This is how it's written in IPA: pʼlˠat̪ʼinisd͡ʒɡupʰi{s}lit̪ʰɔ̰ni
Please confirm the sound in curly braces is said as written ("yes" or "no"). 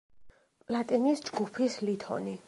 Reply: yes